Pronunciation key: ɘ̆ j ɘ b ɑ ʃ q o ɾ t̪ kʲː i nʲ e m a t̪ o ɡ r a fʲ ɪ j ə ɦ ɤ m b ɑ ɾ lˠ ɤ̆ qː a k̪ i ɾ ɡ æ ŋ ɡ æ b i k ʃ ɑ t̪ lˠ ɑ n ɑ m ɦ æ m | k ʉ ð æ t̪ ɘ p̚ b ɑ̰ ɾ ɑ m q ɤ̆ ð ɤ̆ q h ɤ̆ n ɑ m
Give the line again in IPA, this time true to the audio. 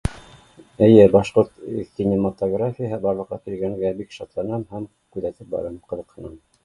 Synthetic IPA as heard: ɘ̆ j ɘ b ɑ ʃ q o ɾ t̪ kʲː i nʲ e m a t̪ o ɡ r a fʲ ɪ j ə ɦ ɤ b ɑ ɾ lˠ ɤ̆ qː ɑ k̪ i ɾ ɡ æ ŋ ɡ æ b i k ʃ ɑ t̪ lˠ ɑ n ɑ m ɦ æ m | k ʉ ð æ t̪ ɘ p̚ b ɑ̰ ɾ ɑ m q ɤ̆ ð ɤ̆ q h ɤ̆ n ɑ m